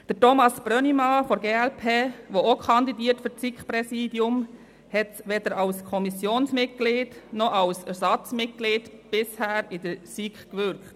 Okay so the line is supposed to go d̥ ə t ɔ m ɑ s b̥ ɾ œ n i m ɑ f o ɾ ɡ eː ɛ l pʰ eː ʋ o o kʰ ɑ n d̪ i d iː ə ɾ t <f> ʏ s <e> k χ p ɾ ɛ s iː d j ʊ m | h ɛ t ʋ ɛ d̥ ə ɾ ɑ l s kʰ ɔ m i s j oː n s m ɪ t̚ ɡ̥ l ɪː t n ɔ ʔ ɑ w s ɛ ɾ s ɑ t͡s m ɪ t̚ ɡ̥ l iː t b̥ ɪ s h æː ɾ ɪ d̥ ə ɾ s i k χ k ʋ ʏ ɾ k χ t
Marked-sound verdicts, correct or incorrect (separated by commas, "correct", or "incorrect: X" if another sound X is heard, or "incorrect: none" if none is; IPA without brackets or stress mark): correct, incorrect: i